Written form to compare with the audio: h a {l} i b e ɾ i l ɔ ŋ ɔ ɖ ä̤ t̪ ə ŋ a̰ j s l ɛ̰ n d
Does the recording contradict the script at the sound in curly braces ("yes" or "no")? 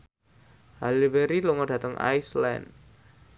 no